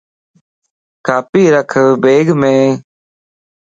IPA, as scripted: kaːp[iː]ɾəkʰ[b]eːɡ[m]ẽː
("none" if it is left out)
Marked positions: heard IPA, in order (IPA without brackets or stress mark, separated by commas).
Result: iː, b, m